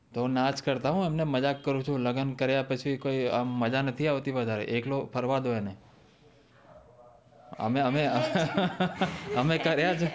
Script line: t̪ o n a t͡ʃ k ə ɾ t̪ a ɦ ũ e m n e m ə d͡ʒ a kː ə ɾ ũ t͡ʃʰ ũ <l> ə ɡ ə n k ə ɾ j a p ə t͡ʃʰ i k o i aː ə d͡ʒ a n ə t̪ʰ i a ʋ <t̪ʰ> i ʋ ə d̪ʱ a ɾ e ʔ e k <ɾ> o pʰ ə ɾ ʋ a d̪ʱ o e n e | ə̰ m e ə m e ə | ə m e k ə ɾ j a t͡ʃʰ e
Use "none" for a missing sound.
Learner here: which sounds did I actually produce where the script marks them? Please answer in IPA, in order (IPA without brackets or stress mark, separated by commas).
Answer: l, t̪, l